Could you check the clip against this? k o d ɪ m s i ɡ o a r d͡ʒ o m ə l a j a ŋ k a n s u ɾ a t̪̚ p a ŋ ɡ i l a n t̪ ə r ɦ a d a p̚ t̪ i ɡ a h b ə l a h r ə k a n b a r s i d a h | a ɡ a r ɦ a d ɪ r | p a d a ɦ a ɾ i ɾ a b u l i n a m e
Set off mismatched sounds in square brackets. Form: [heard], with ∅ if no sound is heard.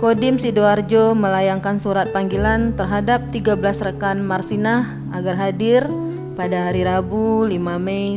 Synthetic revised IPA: k o d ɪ m s i [d] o a r d͡ʒ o m ə l a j a ŋ k a n s u ɾ a t̪̚ p a ŋ ɡ i l a n t̪ ə r ɦ a d a p̚ t̪ i ɡ a [∅] b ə l a [s] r ə k a n [m] a r s i [n] a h | a ɡ a r ɦ a d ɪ r | p a d a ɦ a ɾ i ɾ a b u l i [m] a m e